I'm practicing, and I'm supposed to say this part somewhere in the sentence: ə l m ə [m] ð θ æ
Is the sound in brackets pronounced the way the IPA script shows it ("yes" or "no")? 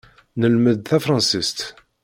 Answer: no